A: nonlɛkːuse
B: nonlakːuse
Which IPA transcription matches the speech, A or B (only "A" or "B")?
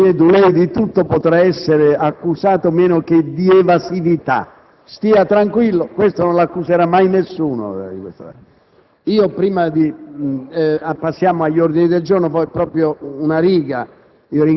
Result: B